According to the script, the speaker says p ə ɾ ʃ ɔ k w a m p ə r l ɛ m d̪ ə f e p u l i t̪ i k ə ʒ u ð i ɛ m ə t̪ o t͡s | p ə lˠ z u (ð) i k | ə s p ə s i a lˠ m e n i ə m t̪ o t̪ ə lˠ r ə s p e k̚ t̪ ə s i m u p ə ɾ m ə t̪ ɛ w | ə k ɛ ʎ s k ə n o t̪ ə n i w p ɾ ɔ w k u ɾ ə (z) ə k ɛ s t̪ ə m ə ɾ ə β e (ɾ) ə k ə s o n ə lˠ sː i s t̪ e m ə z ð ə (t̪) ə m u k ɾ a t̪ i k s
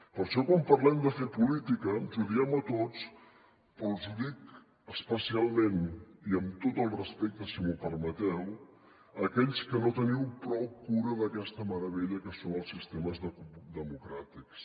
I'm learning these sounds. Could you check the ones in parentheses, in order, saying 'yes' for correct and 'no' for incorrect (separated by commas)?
yes, no, no, no